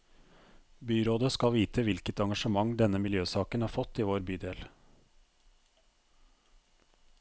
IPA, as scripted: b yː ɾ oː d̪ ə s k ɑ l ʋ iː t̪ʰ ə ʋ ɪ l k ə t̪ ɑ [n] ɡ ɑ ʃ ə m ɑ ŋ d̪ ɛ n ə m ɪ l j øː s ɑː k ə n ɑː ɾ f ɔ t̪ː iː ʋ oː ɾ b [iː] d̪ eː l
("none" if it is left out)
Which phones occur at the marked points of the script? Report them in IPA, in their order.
ŋ, yː

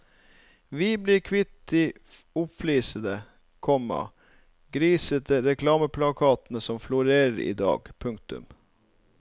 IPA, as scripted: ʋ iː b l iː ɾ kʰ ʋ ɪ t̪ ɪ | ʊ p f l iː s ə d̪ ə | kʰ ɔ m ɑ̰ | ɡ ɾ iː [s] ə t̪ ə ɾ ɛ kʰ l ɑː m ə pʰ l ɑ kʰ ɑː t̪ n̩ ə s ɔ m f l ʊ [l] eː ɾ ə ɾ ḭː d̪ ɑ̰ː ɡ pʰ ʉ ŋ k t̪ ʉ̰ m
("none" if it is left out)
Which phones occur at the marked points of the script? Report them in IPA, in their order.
s, ɾ

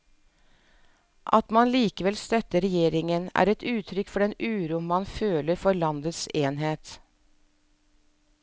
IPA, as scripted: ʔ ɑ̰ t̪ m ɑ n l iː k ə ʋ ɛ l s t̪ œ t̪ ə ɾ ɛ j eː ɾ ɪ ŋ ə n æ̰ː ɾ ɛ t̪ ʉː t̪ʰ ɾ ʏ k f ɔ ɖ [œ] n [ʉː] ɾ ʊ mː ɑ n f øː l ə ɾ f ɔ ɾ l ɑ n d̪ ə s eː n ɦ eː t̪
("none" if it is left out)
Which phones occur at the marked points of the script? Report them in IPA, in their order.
ɛ, ʉː

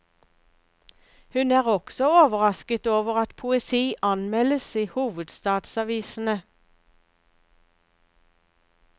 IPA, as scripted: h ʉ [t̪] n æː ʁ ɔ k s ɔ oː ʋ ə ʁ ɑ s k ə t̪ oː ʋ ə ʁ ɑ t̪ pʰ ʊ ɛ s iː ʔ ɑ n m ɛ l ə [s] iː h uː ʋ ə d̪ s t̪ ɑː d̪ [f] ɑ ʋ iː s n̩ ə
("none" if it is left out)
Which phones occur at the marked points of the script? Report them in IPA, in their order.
none, s, s

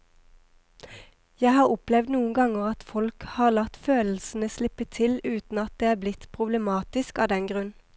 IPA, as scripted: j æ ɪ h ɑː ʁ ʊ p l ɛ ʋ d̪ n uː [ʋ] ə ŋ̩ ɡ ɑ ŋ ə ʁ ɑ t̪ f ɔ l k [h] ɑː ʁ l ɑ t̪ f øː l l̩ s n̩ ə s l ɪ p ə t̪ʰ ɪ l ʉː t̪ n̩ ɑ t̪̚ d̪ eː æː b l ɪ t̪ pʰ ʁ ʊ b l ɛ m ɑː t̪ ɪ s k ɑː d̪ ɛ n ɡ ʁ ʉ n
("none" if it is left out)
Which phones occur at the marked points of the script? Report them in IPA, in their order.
none, h

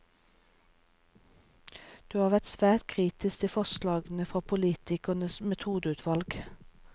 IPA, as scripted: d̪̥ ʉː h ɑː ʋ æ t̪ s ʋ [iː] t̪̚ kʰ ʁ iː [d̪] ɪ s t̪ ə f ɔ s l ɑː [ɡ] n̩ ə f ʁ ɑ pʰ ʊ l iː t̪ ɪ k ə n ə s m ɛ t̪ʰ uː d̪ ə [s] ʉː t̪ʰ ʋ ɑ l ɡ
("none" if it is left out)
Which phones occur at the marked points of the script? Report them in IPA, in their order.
æː, t̪, ɡ, none

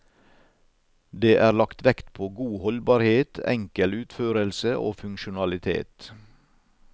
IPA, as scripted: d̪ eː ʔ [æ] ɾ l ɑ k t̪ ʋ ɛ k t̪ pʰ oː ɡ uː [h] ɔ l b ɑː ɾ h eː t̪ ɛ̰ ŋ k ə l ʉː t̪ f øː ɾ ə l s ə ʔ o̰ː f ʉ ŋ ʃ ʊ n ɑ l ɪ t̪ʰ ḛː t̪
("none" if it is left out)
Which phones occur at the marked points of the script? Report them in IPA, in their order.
æː, h

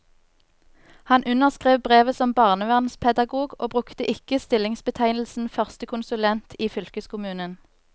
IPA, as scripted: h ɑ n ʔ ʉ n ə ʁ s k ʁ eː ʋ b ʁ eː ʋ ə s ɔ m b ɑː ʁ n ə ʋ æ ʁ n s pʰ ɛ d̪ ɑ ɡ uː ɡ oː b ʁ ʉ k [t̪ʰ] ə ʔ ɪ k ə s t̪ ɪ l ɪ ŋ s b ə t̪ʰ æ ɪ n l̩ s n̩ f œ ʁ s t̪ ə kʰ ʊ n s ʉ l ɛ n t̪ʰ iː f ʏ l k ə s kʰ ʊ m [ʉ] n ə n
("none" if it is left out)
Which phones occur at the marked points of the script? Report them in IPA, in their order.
t̪, ʉː

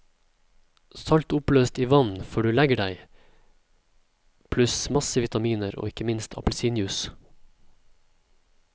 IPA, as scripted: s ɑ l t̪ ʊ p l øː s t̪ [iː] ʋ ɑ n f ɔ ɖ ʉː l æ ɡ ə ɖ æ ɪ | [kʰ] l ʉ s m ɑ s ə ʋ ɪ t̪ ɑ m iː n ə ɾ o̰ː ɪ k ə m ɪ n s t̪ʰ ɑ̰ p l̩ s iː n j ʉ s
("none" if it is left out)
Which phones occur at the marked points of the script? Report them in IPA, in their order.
iː, pʰ

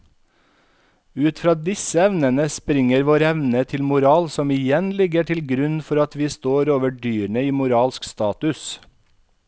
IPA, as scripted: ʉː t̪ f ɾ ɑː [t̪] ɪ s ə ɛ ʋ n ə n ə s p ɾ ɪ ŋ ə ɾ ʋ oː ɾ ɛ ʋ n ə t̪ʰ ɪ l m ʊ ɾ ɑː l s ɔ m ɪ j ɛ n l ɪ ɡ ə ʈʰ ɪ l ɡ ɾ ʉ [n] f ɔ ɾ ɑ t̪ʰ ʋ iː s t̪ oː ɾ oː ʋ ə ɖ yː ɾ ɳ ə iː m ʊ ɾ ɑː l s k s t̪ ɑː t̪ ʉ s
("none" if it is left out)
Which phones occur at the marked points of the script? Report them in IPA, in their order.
d̪, n

